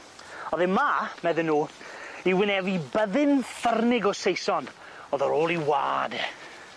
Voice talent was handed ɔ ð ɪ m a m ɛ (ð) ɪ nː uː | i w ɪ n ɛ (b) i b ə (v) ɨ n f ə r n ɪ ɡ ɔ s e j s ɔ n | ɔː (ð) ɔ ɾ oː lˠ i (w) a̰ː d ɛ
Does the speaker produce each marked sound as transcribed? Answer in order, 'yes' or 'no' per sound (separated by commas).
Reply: yes, no, no, yes, yes